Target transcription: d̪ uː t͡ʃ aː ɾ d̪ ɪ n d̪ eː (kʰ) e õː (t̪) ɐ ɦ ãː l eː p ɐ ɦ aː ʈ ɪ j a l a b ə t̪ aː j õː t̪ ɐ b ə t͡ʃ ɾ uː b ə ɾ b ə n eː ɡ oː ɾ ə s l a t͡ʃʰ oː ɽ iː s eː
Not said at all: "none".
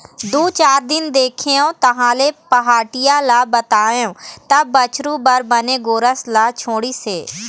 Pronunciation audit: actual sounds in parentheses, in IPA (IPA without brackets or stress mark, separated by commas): kʰ, t̪